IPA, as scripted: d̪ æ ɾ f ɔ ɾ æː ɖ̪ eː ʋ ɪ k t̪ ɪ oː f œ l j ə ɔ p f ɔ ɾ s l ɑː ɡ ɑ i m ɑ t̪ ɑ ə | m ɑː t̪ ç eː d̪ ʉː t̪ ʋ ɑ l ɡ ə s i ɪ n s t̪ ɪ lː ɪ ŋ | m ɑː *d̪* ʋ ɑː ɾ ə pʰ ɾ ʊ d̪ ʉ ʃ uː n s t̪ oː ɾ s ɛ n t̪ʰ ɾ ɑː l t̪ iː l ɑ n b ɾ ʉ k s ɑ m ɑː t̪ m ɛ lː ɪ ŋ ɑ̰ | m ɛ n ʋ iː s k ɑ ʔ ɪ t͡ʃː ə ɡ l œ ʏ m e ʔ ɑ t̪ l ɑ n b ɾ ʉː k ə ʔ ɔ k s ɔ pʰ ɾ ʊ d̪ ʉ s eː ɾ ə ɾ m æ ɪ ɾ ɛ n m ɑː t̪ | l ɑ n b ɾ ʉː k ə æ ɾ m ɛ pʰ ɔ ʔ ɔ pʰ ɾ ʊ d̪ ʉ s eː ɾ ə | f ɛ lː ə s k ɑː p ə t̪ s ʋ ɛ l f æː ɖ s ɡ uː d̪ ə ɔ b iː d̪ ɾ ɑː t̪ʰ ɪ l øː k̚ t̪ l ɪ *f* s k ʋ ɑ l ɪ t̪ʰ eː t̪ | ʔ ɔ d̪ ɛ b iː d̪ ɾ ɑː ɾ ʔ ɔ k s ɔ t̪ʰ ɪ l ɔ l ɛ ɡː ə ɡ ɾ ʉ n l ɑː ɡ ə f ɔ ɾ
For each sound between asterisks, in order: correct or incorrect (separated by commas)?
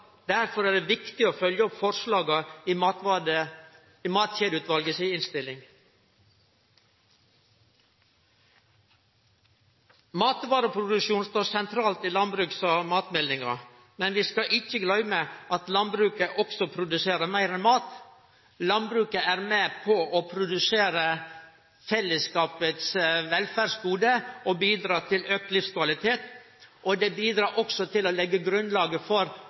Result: incorrect, correct